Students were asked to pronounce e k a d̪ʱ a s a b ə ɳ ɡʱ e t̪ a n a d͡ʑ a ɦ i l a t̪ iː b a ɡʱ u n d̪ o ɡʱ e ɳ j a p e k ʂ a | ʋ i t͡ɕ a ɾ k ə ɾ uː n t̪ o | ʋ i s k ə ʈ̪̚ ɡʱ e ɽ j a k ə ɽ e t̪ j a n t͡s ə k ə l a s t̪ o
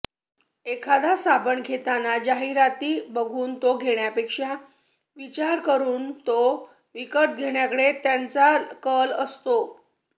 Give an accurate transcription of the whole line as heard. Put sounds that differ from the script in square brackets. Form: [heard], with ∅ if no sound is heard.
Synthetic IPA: e [kʰ] a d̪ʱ a s a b ə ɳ ɡʱ e t̪ a n a d͡ʑ a ɦ i [ɾ] a t̪ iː b [ə] ɡʱ [uː] n [t̪] o ɡʱ e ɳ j a p e k ʂ a | ʋ i t͡ɕ a ɾ k ə ɾ uː n t̪ o | ʋ i [∅] k ə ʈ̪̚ ɡʱ e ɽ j a k ə ɽ e t̪ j a n t͡s [a] k ə l [ə] s t̪ o